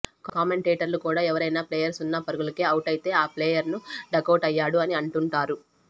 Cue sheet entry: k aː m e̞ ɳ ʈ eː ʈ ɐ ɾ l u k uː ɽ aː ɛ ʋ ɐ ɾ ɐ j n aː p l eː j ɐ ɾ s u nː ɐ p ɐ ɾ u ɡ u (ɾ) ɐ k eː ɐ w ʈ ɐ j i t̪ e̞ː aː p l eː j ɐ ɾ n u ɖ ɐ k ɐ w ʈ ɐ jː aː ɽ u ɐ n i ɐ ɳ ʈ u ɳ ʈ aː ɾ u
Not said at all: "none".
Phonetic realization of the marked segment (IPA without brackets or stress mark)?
l